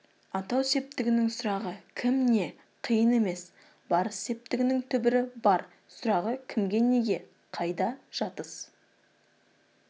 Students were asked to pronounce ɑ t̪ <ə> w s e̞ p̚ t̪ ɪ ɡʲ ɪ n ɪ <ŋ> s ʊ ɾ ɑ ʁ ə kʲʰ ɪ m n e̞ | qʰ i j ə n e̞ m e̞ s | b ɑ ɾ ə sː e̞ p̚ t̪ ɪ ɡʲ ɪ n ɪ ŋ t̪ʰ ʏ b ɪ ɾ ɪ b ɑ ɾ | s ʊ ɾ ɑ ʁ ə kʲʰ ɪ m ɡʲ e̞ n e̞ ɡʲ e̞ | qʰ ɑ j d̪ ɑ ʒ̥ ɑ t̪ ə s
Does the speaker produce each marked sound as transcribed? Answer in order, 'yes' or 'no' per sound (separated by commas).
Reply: no, yes